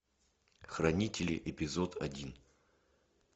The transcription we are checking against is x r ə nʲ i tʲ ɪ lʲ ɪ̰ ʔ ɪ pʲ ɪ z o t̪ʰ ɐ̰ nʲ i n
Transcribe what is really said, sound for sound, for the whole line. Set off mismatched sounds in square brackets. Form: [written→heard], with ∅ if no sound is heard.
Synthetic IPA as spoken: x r [ə→ɐ] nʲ i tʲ ɪ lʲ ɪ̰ ʔ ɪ pʲ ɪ z o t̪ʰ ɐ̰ [nʲ→dʲ] i n